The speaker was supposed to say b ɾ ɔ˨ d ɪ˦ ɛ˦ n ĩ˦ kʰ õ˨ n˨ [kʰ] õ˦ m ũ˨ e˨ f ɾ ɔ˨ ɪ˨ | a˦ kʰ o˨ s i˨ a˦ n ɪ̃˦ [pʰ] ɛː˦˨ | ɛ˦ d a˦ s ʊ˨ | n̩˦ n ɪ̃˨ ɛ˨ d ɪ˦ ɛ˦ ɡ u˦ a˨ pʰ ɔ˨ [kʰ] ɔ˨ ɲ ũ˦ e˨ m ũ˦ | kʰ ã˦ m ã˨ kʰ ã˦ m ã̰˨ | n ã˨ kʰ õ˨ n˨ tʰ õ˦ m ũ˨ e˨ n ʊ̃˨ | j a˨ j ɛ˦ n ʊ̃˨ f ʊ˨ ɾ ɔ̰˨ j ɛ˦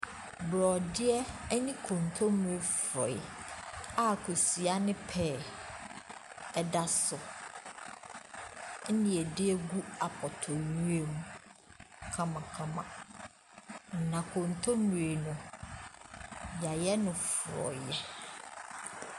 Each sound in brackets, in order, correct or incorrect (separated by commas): incorrect, correct, incorrect